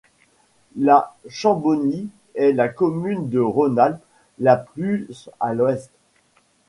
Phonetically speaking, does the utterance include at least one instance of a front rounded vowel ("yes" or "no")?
yes